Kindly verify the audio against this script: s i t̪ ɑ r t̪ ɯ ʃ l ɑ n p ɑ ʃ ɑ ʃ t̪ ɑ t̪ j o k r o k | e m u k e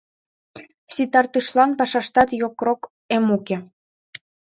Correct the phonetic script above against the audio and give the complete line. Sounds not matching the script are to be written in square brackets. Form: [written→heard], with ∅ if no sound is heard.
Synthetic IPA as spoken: s i t̪ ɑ r t̪ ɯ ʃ l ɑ n p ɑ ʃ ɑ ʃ t̪ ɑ t̪ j o k r o k | e m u k e